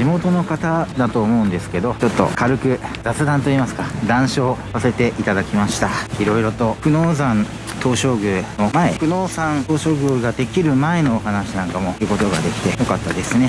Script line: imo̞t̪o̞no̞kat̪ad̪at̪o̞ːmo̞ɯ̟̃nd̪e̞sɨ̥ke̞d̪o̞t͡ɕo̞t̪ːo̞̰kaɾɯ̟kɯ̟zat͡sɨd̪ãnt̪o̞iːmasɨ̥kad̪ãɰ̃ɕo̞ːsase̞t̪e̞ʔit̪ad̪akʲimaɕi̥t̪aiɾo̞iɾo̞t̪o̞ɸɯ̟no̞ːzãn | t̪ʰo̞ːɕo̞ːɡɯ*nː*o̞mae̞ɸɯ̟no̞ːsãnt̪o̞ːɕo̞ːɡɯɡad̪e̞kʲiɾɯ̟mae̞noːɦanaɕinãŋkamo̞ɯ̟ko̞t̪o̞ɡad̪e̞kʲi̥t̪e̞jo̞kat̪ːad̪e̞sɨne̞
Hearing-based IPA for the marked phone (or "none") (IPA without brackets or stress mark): n